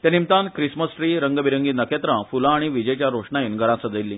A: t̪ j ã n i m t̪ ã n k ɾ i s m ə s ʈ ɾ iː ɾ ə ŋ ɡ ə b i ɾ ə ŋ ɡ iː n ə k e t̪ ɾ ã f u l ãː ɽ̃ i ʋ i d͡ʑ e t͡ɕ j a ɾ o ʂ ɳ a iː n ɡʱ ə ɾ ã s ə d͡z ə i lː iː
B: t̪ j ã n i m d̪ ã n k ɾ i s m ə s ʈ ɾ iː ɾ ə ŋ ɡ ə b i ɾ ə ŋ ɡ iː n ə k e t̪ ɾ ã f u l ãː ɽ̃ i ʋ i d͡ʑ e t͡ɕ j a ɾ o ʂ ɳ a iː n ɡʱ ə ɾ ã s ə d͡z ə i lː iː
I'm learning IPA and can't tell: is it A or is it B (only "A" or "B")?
A